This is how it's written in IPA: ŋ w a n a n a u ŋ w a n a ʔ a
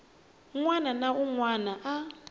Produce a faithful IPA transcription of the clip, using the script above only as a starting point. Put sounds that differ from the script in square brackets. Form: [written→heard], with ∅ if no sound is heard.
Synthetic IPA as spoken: ŋ w a n a n a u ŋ w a n a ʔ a

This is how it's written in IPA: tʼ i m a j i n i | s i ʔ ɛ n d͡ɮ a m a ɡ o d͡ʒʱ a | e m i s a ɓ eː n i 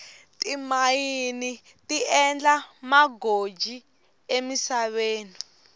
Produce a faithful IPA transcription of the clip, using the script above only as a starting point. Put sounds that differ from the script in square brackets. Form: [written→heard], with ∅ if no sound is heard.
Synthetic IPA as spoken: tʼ i m a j i n i | [s→t] i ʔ ɛ n d͡ɮ a m a ɡ o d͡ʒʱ [a→i] | e m i s a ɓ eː n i

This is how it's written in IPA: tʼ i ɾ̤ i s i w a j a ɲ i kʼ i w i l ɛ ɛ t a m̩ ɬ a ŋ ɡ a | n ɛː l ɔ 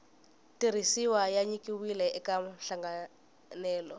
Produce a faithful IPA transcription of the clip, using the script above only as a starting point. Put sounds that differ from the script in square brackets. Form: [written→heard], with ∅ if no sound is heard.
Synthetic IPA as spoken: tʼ i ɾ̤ i s i w a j a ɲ i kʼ i w i l ɛ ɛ [t→k] a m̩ ɬ a ŋ ɡ a | n ɛː l ɔ

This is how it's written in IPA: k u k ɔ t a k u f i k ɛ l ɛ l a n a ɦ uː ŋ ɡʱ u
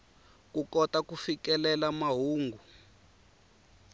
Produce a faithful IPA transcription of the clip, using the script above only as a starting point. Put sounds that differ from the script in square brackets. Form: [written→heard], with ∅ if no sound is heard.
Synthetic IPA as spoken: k u k ɔ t a k u f i k ɛ l ɛ l a [n→m] a ɦ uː ŋ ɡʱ u

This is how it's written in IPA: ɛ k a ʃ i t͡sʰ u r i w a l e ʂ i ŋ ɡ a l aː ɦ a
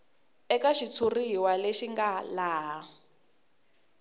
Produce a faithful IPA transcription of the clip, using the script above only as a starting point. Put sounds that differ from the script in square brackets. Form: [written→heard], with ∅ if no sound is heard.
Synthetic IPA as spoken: ɛ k a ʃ i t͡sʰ u r i w a l e [ʂ→ʃ] i ŋ ɡ a l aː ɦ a

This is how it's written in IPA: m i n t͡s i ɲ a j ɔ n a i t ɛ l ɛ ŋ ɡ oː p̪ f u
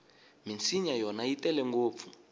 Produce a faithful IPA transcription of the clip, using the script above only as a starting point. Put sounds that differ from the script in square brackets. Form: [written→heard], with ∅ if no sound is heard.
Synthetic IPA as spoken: m i n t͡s i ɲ a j ɔ n a i t ɛ l ɛ ŋ ɡ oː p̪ f u

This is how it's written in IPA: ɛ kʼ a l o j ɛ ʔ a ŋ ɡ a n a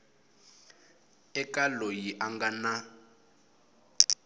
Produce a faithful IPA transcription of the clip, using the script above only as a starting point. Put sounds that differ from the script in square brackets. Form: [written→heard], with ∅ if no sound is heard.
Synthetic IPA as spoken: ɛ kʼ a l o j [ɛ→i] ʔ a ŋ ɡ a n a

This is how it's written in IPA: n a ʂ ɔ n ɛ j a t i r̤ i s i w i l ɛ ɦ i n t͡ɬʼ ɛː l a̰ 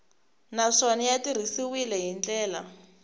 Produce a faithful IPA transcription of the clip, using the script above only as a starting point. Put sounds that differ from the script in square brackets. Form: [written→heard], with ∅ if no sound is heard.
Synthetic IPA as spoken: n a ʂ ɔ n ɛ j a t i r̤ i s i w i l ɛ ɦ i n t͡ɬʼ ɛː l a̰

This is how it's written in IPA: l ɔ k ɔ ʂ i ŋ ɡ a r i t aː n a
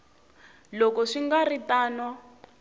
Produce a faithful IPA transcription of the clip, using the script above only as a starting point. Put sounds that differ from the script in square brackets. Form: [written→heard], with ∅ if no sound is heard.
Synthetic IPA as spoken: l ɔ k ɔ ʂ i ŋ ɡ a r i t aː n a

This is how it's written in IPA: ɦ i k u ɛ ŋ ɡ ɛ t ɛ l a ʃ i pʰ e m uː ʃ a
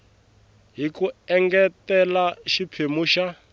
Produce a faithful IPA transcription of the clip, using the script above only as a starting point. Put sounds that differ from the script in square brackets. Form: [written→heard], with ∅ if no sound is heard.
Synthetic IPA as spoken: ɦ i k u ɛ ŋ ɡ ɛ t ɛ l a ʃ i pʰ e m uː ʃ a

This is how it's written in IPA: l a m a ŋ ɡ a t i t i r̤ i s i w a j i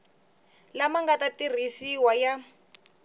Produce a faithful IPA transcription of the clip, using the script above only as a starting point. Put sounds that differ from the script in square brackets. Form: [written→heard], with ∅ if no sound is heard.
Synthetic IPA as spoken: l a m a ŋ ɡ a t [i→a] t i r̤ i s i w a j [i→a]

